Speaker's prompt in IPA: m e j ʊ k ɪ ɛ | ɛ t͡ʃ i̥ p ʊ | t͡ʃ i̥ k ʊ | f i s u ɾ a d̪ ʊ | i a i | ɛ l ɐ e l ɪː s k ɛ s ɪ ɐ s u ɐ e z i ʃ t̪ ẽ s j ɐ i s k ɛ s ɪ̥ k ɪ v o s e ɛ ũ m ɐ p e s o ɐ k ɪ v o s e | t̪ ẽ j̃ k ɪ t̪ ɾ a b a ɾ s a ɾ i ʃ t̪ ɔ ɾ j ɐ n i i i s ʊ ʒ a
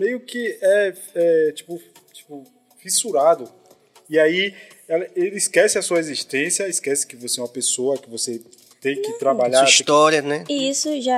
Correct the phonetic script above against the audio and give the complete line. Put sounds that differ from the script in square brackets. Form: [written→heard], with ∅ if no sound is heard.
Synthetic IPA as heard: m e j ʊ k ɪ ɛ | ɛ t͡ʃ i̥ p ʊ | t͡ʃ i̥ [k→p] ʊ | f i s u ɾ a d̪ ʊ | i a i | ɛ l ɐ e l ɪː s k ɛ s ɪ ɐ s u ɐ e z i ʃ t̪ ẽ s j ɐ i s k ɛ s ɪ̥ k ɪ v o s e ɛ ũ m ɐ p e s o ɐ k ɪ v o s e | t̪ ẽ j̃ k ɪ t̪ ɾ a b a [ɾ→ʎ] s a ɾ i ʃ t̪ ɔ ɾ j ɐ n [i→ɛ] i i s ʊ ʒ a